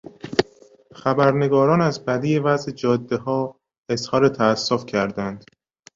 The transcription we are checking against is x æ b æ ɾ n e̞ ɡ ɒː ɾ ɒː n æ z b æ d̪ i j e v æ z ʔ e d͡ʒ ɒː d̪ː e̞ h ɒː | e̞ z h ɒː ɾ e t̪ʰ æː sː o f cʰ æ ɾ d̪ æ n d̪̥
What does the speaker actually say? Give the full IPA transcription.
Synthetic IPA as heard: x æ b æ ɾ n e̞ ɡ ɒː ɾ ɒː n æ z b æ d̪ i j e v æ z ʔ e d͡ʒ ɒː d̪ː e̞ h ɒː | e̞ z h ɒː ɾ e t̪ʰ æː sː o f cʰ æ ɾ d̪ æ n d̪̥